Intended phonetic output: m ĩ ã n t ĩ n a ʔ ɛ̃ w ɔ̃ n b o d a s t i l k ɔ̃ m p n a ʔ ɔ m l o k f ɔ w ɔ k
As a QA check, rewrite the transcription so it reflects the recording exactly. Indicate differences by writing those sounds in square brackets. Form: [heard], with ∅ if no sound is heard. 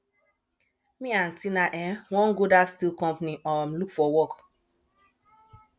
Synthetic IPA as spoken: m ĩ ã n t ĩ n a ʔ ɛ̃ w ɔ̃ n [ɡ] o d a s t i l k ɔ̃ m p n [i] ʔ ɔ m l [u] k f ɔ w ɔ k